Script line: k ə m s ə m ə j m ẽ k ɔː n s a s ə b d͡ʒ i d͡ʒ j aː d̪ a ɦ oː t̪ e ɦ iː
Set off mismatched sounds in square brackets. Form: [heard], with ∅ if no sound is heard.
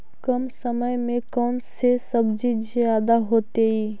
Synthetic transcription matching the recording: k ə m s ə m ə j m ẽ k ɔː n s [e] s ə b d͡ʒ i d͡ʒ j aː d̪ a ɦ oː t̪ e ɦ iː